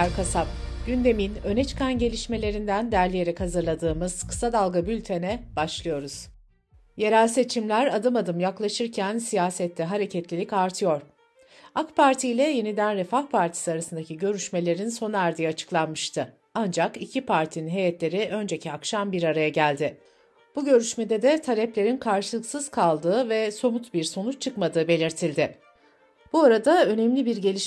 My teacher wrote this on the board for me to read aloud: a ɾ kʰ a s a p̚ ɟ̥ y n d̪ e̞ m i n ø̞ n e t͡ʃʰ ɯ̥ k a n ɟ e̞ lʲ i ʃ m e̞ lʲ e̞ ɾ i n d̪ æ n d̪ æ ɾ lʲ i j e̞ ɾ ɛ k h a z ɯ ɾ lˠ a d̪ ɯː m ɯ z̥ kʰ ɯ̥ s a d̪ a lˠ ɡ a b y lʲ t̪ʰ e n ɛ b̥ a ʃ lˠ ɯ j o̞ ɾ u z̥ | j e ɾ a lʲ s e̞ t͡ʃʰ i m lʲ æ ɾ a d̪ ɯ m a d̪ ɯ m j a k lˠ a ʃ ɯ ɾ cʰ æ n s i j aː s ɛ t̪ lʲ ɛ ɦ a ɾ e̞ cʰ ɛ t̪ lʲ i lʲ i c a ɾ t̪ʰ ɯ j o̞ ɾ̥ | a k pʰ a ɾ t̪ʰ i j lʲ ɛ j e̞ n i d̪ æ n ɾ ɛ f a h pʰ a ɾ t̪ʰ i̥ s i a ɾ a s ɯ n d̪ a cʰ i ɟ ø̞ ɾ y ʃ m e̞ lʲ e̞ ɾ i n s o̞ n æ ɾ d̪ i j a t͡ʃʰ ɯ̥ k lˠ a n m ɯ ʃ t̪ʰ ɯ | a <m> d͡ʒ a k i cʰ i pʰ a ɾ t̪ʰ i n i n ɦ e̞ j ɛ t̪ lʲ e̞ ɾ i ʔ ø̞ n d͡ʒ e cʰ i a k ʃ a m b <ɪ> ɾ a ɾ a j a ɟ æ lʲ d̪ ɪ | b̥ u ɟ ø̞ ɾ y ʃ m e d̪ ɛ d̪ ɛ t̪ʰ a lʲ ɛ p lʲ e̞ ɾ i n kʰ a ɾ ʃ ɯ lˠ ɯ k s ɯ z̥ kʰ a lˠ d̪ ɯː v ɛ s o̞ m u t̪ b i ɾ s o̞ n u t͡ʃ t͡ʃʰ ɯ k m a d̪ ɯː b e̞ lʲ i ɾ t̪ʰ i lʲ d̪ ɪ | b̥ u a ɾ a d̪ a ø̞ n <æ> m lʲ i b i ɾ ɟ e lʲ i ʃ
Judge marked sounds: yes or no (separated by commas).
no, no, no